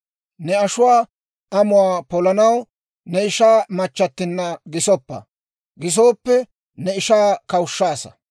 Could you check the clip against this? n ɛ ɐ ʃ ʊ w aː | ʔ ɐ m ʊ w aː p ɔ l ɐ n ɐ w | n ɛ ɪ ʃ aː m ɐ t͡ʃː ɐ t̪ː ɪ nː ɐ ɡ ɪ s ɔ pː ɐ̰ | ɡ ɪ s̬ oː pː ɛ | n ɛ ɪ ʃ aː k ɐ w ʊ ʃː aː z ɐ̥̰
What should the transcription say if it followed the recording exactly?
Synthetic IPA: n ɛ ɐ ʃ ʊ w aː | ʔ ɐ m ʊ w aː p ɔ l ɐ n ɐ w | n ɛ ɪ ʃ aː m ɐ t͡ʃː ɐ t̪ː ɪ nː ɐ ɡ ɪ s ɔ pː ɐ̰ | ɡ ɪ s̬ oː pː ɛ | n ɛ ɪ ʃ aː k ɐ w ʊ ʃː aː s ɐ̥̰